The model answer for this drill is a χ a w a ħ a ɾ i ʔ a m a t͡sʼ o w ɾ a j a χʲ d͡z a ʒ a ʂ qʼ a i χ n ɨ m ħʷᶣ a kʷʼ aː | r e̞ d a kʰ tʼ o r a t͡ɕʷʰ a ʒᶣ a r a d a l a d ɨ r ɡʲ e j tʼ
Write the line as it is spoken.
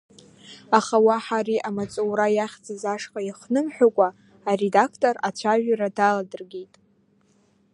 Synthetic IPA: a χ a w a ħ a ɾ i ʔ a m a t͡sʼ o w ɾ a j a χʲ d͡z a z a ʂ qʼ a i χ n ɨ m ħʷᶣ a kʷʼ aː | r e̞ d a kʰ tʼ o r a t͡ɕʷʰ a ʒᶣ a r a d a l a d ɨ r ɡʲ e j tʼ